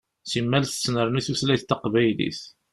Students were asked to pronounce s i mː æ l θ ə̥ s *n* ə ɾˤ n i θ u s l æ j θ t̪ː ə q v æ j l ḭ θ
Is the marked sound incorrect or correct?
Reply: correct